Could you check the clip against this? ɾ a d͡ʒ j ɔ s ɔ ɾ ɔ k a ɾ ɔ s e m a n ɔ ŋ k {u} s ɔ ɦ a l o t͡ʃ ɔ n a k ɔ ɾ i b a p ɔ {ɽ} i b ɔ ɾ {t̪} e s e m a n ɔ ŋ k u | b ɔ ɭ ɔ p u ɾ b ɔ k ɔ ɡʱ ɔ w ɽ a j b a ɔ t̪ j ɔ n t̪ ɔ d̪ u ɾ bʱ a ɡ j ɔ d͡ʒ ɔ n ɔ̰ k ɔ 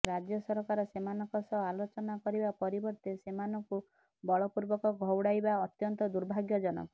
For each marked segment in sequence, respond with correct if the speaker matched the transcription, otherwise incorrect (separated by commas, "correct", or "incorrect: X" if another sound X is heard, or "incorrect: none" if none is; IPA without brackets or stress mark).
incorrect: ɔ, incorrect: ɾ, correct